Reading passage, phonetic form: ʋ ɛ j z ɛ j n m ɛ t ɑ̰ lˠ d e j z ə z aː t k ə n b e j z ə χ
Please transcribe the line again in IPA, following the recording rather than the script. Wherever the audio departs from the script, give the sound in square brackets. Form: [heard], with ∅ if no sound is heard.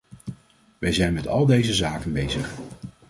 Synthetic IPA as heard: ʋ ɛ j z ɛ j n m ɛ t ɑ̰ lˠ d e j z ə z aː [∅] k ə n b e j z ə χ